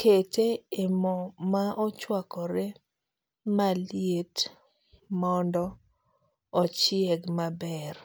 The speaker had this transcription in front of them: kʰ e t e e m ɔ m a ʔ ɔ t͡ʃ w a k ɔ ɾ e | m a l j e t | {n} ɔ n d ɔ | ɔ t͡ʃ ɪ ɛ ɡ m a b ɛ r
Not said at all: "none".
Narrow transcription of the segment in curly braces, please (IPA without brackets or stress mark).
m